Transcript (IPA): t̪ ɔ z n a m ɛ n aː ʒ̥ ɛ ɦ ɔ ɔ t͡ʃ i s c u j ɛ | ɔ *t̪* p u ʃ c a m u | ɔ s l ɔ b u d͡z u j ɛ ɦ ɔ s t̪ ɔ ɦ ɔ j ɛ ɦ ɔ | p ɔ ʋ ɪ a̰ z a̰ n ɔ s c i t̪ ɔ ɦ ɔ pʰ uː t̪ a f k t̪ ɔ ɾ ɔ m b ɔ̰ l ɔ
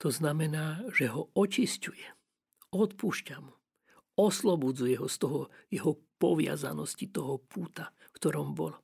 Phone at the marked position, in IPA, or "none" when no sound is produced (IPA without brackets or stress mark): t̪